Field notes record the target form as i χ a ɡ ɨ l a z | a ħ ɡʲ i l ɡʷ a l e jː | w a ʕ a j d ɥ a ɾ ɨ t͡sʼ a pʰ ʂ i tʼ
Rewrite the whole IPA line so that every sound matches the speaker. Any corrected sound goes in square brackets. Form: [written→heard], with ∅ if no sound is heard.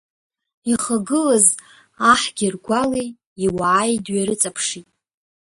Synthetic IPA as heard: i χ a ɡ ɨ l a z | a ħ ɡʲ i [l→r] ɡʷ a l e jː | w a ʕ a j d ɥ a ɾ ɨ t͡sʼ a pʰ ʂ i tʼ

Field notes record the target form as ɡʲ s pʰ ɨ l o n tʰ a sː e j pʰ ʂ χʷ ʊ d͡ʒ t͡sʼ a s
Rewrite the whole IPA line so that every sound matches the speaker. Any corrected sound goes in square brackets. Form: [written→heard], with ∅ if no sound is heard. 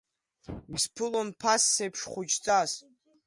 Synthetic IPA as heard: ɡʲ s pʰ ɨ l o n [tʰ→pʰ] a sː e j pʰ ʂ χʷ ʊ d͡ʒ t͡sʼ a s

